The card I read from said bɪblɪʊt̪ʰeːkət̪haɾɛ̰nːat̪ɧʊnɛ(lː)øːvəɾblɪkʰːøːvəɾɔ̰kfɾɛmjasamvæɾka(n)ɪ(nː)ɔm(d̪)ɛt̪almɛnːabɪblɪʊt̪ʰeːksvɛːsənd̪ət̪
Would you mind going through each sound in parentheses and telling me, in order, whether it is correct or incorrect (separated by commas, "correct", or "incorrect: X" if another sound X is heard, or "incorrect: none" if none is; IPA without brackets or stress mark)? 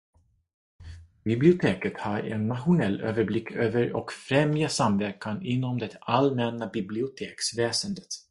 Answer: correct, correct, correct, correct